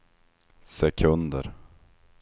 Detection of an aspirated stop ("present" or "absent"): present